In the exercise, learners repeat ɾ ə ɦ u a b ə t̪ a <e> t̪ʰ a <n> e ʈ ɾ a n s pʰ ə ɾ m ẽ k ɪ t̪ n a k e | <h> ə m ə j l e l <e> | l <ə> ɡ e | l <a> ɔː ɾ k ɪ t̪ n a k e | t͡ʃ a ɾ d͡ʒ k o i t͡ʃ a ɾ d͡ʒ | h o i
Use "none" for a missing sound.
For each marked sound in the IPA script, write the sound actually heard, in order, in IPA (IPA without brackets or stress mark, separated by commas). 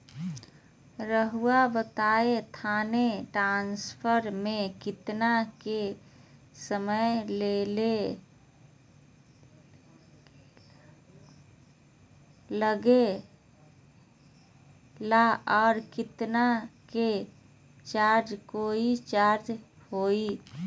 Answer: e, n, s, e, ə, a